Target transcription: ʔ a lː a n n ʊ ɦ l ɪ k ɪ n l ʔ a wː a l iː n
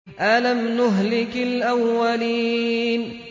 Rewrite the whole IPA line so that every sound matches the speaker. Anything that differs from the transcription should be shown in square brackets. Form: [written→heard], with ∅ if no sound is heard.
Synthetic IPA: ʔ a [lː→l] a [n→m] n ʊ ɦ l ɪ k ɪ [n→∅] l ʔ a wː a l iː n